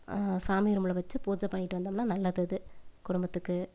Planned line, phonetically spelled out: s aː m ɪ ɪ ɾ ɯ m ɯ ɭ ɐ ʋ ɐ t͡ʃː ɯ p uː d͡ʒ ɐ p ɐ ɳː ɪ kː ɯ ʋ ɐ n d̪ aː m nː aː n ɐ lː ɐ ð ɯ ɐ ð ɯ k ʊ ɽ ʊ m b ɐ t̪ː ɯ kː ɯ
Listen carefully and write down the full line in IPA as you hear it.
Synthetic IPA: s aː m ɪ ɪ ɾ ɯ m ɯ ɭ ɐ ʋ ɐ t͡ʃː ɯ p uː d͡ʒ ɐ p ɐ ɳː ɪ ʈː ɯ ʋ ɐ n d̪ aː m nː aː n ɐ lː ɐ ð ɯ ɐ ð ɯ k ʊ ɽ ʊ m b ɐ t̪ː ɯ kː ɯ